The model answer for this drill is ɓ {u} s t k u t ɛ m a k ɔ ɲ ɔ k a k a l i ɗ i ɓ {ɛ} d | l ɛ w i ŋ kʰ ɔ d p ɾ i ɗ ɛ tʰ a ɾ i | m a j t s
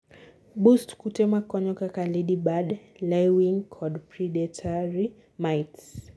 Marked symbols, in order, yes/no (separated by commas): yes, no